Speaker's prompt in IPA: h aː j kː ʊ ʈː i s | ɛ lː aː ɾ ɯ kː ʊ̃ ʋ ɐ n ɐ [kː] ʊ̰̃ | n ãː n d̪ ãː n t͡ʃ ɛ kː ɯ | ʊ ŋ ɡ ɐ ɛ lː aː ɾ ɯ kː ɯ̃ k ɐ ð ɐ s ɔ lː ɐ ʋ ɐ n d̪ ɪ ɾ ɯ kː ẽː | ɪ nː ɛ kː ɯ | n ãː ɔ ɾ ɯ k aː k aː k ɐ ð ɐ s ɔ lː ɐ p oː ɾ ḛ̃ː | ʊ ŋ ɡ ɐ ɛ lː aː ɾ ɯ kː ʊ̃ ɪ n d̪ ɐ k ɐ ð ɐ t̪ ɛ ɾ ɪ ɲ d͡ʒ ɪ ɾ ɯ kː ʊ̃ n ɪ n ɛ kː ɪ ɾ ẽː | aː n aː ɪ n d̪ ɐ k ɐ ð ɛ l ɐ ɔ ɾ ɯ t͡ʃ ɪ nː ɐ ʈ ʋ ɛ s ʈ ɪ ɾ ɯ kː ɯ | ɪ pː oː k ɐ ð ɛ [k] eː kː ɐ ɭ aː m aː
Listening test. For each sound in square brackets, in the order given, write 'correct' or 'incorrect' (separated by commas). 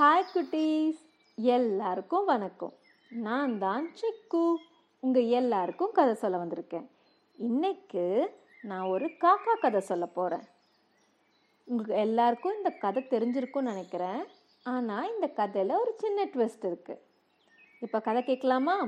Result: correct, correct